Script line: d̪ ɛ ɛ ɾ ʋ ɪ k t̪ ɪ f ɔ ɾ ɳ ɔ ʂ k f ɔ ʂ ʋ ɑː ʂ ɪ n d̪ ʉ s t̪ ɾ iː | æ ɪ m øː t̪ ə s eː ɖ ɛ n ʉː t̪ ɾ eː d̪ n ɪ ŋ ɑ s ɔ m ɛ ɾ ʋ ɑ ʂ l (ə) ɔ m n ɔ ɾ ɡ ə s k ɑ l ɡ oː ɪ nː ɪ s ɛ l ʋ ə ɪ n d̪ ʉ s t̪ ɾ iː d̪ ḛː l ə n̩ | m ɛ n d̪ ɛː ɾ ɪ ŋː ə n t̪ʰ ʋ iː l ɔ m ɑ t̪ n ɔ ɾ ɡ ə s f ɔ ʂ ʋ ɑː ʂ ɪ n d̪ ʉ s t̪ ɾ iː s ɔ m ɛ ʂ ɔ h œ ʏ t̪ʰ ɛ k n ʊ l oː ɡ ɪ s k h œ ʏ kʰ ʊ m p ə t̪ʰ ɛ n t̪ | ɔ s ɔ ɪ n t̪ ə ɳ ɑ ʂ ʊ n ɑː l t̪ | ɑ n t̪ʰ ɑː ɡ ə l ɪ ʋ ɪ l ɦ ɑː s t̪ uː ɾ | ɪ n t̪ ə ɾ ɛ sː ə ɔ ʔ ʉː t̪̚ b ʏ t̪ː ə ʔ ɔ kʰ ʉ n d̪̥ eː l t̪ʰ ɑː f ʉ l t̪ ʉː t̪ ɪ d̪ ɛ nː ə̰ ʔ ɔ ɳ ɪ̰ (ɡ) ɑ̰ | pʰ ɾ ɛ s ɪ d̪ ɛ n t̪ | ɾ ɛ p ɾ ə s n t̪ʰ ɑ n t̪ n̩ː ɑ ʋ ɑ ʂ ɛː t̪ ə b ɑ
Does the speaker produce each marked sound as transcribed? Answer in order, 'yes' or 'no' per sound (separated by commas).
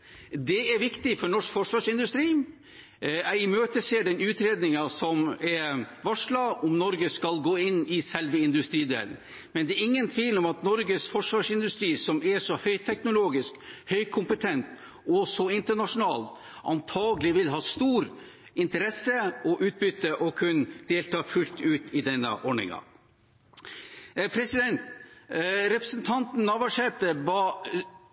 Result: no, no